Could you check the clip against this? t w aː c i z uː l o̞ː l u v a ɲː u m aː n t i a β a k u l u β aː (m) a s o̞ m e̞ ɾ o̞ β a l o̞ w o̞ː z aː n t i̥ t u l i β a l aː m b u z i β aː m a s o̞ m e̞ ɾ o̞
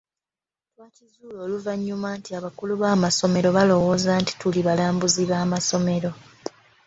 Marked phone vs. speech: correct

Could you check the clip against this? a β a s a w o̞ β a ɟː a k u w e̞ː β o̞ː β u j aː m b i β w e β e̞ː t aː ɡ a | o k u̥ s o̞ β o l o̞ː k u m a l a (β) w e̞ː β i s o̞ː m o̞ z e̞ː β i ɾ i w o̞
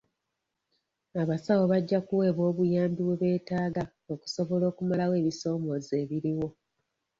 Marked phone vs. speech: incorrect: none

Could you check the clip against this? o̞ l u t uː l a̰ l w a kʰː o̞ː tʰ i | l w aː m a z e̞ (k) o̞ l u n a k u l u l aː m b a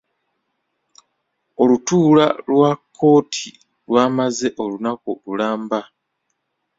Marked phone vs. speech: incorrect: ʔ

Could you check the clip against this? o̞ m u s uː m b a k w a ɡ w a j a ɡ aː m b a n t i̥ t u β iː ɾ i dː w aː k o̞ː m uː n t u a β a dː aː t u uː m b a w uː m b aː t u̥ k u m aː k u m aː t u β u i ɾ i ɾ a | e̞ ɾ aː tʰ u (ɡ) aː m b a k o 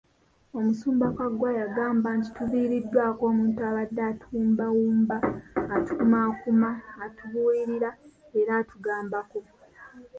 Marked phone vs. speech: correct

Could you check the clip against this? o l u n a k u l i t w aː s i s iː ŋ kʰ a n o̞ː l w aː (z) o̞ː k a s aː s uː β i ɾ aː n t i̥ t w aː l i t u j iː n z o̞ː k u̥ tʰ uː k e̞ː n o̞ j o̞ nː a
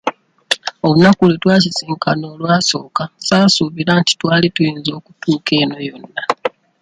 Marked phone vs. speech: incorrect: s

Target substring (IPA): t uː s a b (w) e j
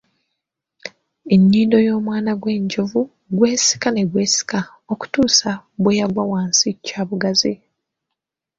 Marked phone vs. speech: correct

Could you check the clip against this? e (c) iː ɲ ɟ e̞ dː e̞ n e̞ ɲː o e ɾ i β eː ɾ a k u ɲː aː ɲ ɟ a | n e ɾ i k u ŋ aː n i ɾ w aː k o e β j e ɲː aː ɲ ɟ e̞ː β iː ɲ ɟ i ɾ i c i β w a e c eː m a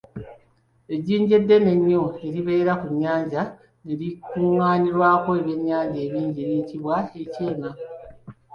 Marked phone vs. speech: incorrect: ɟ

